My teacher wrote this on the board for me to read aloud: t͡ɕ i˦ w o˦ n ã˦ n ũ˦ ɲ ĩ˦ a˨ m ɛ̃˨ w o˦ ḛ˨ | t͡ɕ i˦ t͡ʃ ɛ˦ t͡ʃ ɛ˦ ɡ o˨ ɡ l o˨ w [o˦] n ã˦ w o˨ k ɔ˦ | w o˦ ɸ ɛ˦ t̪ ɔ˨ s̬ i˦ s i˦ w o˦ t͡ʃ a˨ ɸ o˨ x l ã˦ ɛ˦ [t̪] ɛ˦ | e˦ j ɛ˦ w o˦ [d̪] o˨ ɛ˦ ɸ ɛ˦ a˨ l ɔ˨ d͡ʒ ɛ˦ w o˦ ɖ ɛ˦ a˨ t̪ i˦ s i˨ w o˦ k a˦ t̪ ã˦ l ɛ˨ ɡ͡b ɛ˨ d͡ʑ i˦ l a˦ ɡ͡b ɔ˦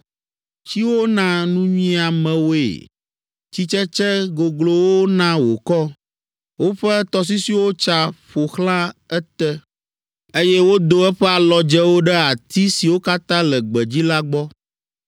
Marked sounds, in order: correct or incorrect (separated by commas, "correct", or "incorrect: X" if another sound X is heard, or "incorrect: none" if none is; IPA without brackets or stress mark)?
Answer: correct, correct, correct